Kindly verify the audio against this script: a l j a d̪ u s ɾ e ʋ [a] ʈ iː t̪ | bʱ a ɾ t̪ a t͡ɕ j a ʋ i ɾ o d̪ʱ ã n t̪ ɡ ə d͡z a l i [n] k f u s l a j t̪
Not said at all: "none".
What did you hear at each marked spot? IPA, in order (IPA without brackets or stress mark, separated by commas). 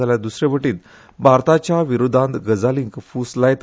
ə, ŋ